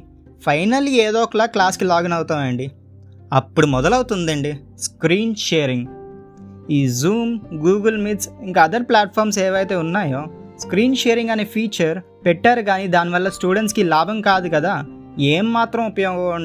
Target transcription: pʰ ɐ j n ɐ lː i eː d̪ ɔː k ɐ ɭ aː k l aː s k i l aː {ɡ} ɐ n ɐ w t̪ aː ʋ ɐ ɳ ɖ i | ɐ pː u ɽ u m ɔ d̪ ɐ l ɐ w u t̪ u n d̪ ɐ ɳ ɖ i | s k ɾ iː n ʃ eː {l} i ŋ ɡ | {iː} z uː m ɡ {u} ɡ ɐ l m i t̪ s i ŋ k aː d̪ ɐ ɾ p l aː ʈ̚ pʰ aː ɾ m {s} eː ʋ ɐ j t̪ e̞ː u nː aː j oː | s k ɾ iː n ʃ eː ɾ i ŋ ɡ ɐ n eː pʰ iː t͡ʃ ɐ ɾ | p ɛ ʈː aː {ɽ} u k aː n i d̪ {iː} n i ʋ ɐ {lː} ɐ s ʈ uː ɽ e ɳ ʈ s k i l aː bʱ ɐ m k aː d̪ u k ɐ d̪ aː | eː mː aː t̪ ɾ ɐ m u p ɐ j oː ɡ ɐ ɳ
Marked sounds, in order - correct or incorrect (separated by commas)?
correct, incorrect, correct, incorrect, correct, incorrect, incorrect, correct